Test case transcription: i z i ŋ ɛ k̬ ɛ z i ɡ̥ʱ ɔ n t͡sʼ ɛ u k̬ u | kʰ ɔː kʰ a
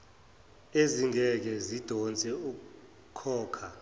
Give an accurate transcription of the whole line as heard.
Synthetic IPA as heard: e z i ŋ ɛ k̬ ɛ z i d̥ʱ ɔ n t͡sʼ ɛ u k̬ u | kʰ ɔː kʰ a